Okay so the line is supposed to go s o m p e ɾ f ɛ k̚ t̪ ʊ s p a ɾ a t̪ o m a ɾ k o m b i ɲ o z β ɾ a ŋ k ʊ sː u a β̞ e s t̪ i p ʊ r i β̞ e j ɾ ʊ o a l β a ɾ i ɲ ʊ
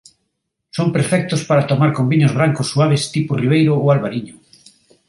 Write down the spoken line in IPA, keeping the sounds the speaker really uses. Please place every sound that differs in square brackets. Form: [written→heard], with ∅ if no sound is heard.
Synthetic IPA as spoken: s o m p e ɾ f ɛ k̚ t̪ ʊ s p a ɾ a t̪ o m a ɾ k o m b i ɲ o z β ɾ a ŋ k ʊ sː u a β̞ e s t̪ i p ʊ r i β̞ e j ɾ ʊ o a l β a ɾ i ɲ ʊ